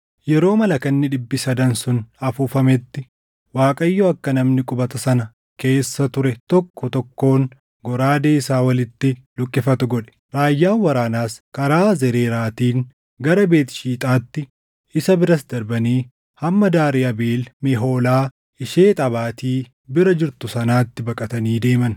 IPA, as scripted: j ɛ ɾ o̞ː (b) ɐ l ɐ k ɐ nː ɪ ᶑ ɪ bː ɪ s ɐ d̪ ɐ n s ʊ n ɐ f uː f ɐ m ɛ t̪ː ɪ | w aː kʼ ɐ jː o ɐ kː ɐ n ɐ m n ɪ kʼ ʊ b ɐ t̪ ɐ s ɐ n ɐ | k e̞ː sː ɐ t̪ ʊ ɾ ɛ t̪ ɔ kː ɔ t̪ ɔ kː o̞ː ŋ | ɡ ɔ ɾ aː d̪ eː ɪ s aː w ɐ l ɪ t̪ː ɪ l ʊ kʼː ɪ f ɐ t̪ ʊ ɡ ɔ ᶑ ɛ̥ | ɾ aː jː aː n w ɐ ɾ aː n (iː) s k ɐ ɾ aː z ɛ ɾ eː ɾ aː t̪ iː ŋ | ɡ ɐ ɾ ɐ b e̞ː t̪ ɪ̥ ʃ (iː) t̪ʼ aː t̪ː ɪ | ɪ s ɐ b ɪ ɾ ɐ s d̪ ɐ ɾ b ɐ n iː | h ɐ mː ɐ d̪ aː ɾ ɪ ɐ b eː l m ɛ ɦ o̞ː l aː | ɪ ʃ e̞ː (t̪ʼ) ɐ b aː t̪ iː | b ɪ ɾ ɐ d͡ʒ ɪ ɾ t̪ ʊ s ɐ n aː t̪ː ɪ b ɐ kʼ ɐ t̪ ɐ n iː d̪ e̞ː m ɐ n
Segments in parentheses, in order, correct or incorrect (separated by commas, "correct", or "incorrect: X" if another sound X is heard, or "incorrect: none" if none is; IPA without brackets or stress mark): incorrect: m, incorrect: aː, correct, correct